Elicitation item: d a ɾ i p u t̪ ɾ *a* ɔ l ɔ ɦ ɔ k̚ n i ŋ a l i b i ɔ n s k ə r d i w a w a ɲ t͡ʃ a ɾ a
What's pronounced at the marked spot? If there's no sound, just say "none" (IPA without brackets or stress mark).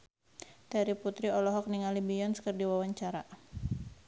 i